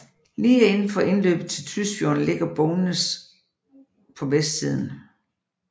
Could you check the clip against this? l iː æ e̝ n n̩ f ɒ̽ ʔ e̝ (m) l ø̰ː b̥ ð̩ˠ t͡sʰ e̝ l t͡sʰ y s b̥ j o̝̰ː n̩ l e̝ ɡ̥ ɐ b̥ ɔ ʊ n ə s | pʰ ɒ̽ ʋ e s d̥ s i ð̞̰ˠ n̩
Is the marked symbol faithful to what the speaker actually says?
no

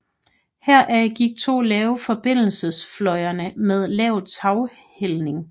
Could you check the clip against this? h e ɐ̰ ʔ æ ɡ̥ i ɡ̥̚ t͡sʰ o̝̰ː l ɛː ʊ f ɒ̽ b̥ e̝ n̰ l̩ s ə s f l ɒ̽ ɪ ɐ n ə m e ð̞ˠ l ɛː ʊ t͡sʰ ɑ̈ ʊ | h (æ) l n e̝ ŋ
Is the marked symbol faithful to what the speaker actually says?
no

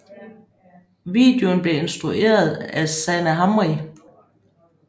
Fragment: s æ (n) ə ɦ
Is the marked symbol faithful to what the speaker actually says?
yes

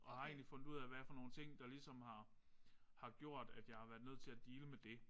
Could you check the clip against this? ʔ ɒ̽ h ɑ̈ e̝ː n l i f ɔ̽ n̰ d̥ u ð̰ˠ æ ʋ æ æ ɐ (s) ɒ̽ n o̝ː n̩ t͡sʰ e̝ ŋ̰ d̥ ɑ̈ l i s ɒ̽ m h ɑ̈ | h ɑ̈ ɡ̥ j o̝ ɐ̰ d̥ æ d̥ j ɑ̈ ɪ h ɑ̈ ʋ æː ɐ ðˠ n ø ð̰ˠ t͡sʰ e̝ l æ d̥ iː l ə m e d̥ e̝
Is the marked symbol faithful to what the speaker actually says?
no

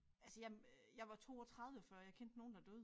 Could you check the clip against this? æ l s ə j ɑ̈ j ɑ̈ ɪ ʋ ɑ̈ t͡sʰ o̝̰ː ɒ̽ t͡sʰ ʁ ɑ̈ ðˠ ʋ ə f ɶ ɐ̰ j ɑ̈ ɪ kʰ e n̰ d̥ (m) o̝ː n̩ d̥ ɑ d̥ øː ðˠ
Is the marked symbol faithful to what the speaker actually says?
no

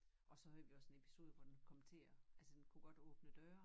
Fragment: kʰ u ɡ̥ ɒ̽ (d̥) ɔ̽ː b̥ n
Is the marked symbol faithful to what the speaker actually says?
yes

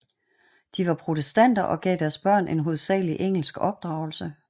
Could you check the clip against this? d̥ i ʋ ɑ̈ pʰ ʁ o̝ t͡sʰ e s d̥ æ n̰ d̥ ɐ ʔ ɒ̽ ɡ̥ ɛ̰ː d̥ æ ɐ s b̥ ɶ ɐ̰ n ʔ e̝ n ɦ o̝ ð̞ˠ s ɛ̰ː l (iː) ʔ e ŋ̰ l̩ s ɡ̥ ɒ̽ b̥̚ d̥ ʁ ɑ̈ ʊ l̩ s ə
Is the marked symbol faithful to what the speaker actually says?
no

